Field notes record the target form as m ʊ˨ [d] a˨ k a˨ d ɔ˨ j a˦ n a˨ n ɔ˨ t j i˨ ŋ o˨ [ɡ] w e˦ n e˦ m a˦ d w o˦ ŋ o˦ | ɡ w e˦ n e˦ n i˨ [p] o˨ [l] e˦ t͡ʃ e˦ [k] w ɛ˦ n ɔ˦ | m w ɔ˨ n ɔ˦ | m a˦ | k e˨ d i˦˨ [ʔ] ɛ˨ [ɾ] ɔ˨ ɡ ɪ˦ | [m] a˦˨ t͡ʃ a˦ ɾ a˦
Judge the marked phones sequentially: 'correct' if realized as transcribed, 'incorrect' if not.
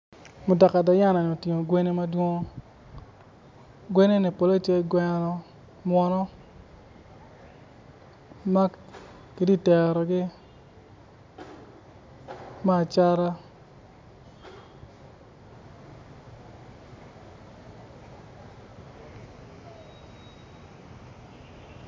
correct, correct, correct, correct, incorrect: ɡ, incorrect: t, correct, correct

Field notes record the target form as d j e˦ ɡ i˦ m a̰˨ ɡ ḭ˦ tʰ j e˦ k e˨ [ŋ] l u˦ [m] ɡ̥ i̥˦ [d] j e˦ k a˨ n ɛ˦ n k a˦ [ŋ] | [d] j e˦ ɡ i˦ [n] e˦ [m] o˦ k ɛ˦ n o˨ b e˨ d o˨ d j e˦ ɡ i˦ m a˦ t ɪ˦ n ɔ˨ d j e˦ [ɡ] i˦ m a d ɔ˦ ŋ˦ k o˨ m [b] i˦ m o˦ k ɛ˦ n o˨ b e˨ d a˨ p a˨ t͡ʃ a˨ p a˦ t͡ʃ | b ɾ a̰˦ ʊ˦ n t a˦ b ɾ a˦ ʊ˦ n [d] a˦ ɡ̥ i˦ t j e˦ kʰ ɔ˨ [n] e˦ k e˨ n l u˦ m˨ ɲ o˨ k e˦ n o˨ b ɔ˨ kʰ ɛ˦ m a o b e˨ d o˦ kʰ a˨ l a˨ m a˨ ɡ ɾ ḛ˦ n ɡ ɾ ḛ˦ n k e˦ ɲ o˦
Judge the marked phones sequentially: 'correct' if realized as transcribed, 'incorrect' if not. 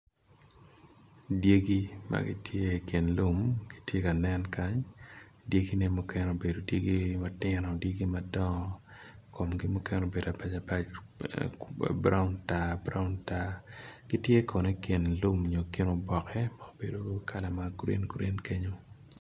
incorrect: n, correct, incorrect: t, incorrect: ɲ, correct, correct, correct, correct, incorrect: ɡ, incorrect: t, correct

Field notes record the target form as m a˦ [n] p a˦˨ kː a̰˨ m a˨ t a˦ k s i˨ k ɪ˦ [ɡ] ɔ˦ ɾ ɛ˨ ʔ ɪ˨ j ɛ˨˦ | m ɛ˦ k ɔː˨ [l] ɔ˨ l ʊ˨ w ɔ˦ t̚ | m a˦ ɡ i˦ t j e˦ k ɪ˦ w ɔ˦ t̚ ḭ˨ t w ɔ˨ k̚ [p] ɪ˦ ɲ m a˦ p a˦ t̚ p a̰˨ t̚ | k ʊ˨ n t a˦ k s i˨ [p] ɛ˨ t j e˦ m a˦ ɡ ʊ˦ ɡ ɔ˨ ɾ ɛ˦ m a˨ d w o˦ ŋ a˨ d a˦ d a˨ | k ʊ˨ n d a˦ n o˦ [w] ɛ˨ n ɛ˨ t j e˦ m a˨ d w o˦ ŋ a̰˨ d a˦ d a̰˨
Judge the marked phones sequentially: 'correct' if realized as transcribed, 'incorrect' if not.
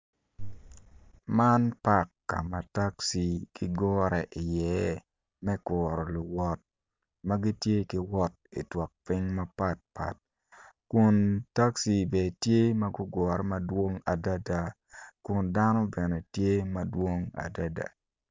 correct, correct, incorrect: ɾ, correct, incorrect: b, incorrect: b

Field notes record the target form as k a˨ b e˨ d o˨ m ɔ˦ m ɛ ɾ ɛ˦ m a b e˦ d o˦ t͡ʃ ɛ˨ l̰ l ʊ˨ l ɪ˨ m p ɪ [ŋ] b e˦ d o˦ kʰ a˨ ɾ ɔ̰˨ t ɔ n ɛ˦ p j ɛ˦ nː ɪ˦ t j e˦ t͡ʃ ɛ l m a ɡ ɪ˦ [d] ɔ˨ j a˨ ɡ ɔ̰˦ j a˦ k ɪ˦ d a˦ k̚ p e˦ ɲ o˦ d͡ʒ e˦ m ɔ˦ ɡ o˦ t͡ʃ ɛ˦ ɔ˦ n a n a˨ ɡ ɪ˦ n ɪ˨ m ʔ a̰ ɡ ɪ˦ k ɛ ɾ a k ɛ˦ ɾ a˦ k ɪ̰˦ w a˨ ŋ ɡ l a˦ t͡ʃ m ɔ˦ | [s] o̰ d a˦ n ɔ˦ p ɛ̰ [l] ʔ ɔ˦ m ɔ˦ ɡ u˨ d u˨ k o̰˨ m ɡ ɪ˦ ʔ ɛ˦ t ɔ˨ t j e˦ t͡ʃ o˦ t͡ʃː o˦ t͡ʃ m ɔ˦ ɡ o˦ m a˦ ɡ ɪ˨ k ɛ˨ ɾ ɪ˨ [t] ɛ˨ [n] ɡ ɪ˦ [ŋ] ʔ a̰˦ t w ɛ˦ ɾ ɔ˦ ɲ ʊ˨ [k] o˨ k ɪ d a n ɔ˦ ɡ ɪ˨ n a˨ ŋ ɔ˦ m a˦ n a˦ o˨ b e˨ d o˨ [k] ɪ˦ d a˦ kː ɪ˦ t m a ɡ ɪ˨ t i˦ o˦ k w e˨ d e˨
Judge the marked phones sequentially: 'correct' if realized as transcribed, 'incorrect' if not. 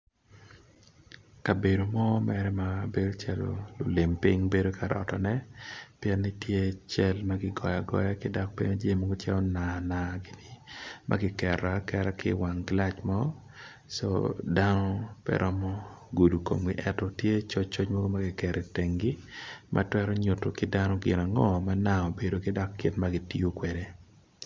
correct, incorrect: ɡ, correct, incorrect: ɾ, correct, incorrect: ŋ, incorrect: m, incorrect: t, correct

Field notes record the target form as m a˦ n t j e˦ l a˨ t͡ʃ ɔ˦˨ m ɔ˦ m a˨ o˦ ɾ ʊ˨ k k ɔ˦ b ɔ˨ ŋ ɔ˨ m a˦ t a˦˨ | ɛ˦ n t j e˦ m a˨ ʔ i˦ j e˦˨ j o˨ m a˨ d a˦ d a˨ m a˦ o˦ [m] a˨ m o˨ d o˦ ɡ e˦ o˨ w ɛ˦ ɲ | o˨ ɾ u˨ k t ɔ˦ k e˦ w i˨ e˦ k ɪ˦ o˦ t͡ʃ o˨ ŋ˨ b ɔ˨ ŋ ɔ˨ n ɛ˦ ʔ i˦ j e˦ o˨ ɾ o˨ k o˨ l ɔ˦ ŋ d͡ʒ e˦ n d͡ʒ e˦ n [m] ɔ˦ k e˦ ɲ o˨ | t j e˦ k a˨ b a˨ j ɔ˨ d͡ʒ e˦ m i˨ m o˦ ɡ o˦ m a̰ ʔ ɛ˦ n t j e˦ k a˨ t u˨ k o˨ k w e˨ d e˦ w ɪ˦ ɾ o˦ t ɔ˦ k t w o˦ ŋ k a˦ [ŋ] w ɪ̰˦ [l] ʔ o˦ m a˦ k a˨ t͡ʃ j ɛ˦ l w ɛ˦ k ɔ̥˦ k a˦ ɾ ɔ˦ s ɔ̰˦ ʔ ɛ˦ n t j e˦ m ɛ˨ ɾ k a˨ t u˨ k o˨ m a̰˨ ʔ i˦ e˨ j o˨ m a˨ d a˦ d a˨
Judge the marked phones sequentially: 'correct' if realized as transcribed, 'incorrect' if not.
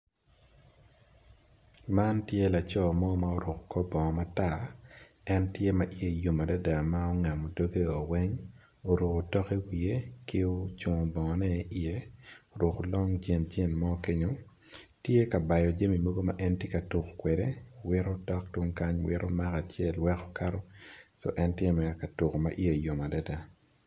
incorrect: ŋ, correct, incorrect: ɲ, incorrect: ɾ

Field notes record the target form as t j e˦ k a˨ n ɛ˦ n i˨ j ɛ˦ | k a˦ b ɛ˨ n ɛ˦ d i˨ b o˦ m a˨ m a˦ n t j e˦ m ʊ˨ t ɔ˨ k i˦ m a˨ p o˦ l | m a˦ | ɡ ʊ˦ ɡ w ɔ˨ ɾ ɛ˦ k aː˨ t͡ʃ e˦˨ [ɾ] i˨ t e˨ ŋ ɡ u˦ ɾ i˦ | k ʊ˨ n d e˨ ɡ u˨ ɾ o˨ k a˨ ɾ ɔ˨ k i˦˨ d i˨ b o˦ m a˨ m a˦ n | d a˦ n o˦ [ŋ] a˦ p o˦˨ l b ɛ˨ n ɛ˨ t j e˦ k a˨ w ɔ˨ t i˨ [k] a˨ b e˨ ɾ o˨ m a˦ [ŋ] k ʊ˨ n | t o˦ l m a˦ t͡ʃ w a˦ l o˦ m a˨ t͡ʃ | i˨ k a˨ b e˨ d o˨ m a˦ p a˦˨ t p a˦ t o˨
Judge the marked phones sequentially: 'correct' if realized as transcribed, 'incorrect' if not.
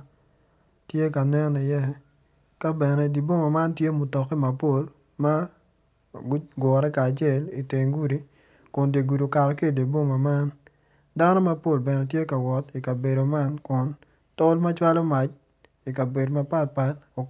incorrect: l, incorrect: m, correct, incorrect: n

